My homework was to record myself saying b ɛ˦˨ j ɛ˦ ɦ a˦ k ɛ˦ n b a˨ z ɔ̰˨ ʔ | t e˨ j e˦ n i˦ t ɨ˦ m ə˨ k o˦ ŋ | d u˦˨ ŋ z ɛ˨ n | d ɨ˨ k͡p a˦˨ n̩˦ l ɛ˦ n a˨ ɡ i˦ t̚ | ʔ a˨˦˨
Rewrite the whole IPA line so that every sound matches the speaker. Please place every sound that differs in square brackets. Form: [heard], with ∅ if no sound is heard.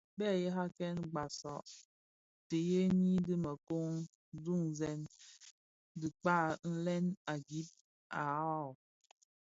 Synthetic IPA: b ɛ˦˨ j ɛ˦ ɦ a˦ k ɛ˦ n [ɡ͡b] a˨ [s] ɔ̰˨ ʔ | t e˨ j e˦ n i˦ [d] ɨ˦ m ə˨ k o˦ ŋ | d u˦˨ ŋ z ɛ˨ n | d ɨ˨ k͡p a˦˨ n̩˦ l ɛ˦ n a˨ ɡ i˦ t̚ | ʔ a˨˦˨